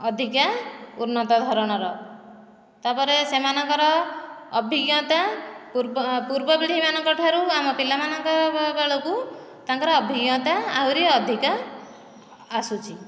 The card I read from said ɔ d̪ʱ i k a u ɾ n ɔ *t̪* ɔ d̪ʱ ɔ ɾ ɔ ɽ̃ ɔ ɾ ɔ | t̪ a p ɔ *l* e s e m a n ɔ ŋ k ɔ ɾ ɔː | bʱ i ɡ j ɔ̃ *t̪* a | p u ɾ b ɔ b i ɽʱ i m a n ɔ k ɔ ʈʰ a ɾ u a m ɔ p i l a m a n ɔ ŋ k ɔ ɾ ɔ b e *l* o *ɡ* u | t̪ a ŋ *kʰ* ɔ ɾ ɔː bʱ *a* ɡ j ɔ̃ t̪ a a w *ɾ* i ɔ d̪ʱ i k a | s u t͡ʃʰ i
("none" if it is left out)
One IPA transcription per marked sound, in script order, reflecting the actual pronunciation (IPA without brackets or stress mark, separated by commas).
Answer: t̪, ɾ, t̪, ɭ, k, k, i, ɾ